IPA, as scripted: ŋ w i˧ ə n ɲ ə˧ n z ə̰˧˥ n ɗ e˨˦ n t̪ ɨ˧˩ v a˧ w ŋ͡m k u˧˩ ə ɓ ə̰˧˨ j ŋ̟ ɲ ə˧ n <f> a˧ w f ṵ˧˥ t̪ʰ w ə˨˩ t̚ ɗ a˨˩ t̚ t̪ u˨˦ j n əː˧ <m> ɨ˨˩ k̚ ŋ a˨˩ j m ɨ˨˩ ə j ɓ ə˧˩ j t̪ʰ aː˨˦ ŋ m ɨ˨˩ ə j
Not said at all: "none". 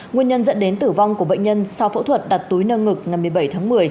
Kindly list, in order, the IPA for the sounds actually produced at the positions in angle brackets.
s, ŋ

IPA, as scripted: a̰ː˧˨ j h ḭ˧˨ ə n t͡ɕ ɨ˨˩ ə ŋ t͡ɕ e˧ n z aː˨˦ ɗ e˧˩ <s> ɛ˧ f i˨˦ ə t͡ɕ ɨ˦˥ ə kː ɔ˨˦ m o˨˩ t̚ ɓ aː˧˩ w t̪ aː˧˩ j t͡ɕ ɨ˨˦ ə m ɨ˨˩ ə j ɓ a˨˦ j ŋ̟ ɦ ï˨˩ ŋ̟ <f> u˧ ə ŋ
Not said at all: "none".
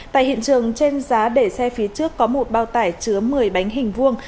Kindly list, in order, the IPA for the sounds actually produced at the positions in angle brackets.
s, v

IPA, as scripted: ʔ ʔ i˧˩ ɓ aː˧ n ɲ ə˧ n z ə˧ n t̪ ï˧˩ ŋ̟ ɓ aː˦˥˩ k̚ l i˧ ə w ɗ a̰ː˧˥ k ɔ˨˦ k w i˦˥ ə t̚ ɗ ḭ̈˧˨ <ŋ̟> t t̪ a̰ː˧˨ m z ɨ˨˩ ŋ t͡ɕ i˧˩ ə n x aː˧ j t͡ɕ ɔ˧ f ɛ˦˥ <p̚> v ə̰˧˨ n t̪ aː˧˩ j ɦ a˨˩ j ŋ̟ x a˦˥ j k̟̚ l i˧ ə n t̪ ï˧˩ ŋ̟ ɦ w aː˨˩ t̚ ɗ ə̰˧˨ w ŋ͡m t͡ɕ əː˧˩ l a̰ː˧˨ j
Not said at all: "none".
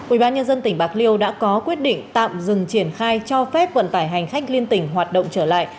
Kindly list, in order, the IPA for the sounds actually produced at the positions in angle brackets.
ŋ̟, p̚

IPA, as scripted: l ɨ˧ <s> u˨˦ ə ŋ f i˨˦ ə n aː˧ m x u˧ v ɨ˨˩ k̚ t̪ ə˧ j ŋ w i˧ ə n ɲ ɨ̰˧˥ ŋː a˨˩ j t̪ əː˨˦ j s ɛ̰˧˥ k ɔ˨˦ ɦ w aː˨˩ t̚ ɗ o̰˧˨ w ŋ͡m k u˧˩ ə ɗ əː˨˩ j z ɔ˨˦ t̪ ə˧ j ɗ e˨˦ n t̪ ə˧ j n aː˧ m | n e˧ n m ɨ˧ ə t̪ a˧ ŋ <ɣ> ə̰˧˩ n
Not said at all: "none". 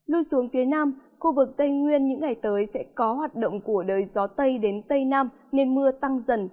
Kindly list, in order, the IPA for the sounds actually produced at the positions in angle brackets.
s, z

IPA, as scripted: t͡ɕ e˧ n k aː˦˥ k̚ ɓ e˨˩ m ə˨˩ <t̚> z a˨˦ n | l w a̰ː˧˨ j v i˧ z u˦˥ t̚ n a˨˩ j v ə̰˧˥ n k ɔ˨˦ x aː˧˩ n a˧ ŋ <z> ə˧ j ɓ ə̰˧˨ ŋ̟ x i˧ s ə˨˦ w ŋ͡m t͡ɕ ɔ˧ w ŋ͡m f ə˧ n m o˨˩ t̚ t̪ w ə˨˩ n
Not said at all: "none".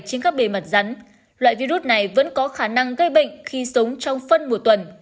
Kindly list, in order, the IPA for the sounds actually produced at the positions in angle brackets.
t̚, ɣ

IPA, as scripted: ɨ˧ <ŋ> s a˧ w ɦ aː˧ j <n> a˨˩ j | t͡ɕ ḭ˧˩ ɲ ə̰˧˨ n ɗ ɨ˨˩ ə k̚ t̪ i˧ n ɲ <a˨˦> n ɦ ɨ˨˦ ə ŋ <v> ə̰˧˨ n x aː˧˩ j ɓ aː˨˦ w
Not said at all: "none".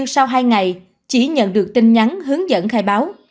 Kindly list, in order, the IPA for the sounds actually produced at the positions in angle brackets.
ŋ, ŋ, a˨˦, z

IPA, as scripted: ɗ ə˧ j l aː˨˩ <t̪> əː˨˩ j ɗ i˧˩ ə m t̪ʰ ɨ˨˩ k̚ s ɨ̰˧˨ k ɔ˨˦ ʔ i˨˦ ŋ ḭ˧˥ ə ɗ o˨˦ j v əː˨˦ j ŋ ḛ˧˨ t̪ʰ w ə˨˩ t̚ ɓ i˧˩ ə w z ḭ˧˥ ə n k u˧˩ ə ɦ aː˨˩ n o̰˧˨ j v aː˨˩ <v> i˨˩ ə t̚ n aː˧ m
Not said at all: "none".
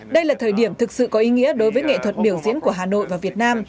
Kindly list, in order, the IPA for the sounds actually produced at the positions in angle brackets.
t̪ʰ, v

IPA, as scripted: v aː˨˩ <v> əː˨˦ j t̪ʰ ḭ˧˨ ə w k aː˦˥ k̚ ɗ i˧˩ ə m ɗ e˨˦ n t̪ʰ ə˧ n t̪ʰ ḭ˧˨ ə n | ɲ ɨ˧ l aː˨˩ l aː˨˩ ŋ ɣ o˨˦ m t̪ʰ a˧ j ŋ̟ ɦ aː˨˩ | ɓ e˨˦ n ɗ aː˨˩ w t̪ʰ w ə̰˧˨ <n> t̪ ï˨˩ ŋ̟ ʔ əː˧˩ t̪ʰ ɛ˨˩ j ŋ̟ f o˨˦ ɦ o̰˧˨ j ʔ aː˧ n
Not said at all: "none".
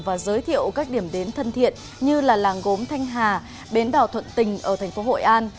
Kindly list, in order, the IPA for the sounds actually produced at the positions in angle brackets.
z, n

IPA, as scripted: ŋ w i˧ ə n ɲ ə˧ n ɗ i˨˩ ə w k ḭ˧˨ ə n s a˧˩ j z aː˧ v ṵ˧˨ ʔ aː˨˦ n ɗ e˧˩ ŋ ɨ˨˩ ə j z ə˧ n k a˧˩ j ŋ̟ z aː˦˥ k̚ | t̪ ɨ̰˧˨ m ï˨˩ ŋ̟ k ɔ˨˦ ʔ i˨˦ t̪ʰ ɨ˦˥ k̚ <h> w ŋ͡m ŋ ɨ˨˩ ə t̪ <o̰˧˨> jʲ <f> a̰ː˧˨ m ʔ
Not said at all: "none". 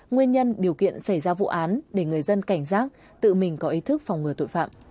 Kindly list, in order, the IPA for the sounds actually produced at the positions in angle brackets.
f, o̰˧˨, f

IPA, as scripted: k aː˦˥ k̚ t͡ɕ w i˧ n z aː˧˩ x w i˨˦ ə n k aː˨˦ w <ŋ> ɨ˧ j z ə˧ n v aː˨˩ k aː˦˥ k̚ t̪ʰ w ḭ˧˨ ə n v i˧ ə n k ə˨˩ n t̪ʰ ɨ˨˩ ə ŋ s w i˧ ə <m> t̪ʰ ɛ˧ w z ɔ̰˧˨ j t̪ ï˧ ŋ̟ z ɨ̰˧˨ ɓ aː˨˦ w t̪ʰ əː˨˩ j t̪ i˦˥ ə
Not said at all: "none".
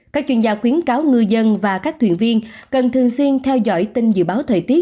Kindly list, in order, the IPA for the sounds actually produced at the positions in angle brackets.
ŋ, n

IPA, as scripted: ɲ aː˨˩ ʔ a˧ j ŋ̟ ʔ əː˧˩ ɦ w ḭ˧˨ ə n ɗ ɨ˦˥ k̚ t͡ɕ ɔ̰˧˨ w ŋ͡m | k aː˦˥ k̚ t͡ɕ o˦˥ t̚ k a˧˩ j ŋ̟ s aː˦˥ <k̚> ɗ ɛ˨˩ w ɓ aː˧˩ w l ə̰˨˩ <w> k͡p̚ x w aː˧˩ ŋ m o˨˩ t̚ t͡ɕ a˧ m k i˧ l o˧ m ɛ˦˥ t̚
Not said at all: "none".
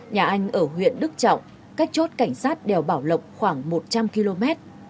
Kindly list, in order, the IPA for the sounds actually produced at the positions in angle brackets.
t̚, w

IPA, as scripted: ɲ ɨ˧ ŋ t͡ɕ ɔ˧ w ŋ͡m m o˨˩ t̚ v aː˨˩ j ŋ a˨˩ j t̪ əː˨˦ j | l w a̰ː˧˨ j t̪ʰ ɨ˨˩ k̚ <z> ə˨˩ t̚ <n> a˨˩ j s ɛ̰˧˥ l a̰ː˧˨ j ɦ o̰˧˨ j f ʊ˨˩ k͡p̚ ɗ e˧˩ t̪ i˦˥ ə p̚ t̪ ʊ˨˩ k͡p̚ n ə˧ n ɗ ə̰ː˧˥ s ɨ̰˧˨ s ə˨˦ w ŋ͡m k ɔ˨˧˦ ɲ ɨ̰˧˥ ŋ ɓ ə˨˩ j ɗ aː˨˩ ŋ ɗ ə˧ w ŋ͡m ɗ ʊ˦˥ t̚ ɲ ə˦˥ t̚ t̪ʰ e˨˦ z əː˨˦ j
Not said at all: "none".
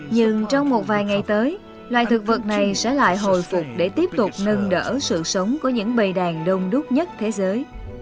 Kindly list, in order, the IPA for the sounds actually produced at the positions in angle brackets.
v, n

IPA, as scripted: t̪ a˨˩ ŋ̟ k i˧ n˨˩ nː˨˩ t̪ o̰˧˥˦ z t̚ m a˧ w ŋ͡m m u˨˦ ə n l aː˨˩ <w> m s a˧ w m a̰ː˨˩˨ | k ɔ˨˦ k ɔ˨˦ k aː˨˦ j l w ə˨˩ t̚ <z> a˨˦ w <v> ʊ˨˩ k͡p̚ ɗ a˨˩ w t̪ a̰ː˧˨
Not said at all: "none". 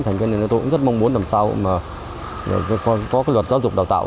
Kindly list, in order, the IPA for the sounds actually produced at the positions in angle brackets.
none, z, z

